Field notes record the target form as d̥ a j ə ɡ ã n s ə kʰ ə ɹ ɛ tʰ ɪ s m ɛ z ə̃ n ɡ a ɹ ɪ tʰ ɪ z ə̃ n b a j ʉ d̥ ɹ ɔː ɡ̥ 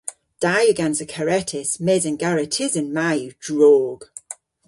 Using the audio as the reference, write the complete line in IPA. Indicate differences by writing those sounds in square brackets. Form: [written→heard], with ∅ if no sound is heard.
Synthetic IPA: d̥ a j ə ɡ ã n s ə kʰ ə ɹ ɛ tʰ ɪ s m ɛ z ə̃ n ɡ a ɹ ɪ tʰ ɪ z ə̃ n [b→m] a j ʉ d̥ ɹ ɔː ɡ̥